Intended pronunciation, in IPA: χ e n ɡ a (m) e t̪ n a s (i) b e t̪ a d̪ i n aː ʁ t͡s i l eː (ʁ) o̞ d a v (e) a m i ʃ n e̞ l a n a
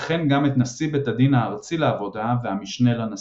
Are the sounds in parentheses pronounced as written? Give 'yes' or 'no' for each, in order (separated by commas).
yes, yes, no, yes